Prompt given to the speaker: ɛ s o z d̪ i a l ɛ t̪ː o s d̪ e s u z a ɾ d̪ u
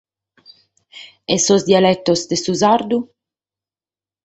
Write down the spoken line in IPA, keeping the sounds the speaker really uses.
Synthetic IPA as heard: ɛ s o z d̪ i a l ɛ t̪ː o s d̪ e s u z a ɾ d̪ u